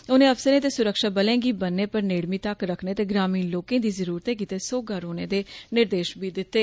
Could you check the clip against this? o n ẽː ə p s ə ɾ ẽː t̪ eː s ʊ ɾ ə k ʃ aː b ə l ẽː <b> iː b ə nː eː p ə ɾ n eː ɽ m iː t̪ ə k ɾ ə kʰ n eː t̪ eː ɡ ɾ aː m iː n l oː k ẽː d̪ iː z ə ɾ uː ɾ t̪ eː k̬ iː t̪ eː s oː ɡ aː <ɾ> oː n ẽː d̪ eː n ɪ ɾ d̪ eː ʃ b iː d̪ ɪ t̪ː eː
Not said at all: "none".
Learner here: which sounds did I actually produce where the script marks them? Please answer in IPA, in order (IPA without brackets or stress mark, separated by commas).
ɡ, ɾ